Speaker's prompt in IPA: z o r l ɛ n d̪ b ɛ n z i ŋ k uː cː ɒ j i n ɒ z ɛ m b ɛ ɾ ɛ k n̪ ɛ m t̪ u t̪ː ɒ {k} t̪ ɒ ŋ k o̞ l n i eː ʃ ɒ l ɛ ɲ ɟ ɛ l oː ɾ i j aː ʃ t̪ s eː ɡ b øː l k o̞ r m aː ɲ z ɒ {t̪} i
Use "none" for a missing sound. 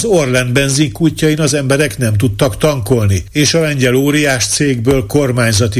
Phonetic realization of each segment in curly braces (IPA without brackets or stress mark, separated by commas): k, t̪